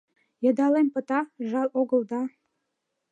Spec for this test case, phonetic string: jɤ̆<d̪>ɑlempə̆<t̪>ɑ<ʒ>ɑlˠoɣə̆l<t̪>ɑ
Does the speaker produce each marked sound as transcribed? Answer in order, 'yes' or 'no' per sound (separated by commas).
yes, yes, yes, no